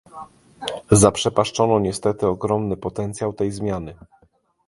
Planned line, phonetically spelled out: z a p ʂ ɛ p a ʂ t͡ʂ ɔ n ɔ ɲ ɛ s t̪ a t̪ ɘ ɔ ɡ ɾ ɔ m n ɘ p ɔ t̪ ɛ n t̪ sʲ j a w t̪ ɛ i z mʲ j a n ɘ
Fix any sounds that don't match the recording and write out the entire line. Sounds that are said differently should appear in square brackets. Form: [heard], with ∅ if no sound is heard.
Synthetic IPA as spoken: z a p ʂ ɛ p a ʂ t͡ʂ ɔ n ɔ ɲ ɛ s t̪ [ɛ] t̪ ɘ ɔ ɡ ɾ ɔ m n ɘ p ɔ t̪ ɛ n t̪ sʲ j a w t̪ ɛ [j] z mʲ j a n ɘ